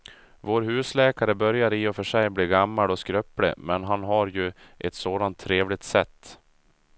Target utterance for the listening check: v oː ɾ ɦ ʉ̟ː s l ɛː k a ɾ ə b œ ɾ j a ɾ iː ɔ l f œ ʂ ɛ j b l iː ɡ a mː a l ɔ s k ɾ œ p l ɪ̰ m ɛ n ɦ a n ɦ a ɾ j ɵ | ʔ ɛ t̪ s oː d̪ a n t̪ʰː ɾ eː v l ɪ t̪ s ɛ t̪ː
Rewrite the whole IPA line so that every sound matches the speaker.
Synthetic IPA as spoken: v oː ɾ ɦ ʉ̟ː s l ɛː k a ɾ ə b œ ɾ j a ɾ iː ɔ f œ ʂ ɛ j b l iː ɡ a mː a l ɔ s k ɾ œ p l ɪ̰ m ɛ n ɦ a n ɦ a ɾ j ɵ | ʔ ɛ t̪ s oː d̪ a n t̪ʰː ɾ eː v l ɪ t̪ s ɛ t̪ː